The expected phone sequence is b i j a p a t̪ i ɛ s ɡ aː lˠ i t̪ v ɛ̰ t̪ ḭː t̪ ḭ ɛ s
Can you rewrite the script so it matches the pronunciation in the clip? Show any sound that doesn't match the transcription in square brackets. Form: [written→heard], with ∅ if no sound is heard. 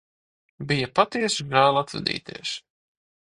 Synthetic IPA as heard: b i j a p a t̪ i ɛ s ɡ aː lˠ [i→a] t̪ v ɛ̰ [t̪→d̪] ḭː t̪ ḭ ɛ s